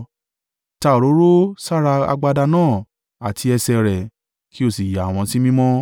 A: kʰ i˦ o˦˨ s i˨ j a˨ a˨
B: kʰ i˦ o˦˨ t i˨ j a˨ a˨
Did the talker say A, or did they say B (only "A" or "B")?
A